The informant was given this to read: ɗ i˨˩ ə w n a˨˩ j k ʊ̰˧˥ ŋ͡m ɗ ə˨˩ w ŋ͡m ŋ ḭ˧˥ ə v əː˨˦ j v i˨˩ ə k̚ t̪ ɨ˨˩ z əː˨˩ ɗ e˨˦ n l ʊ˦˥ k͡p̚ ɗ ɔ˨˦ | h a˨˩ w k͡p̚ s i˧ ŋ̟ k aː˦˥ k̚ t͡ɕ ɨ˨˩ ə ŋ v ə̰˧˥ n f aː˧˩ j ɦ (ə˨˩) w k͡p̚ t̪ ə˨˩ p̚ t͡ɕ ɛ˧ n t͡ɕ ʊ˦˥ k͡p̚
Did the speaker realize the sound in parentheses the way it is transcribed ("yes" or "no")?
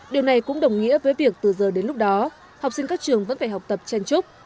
no